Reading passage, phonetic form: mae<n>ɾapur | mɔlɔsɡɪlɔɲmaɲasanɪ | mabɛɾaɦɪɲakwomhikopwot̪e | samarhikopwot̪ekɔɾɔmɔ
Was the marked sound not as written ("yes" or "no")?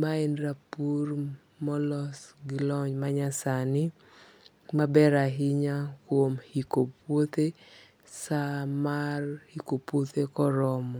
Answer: no